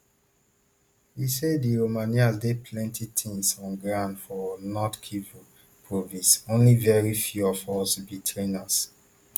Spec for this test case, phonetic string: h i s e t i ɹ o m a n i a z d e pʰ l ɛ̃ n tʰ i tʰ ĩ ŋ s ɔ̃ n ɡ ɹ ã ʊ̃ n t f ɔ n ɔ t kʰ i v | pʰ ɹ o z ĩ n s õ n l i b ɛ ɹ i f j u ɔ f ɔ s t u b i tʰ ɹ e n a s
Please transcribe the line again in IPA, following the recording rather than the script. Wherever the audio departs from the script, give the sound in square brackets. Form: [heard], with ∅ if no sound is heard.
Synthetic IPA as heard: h i s e [d] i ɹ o m a n i a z d e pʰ l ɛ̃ n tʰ i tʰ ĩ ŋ s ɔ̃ n ɡ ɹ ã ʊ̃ n [d] f ɔ n ɔ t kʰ i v | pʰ ɹ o [v] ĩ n s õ n l i [v] ɛ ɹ i f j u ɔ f ɔ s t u b i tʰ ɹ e n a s